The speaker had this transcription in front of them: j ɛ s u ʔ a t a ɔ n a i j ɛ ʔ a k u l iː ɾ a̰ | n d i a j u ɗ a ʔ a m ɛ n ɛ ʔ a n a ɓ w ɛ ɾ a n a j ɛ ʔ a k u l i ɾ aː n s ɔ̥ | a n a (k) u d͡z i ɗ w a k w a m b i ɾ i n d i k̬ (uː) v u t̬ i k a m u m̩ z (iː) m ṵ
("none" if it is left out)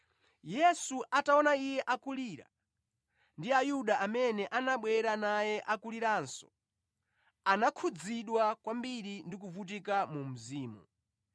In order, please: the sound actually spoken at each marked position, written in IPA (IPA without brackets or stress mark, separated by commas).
kʰ, u, iː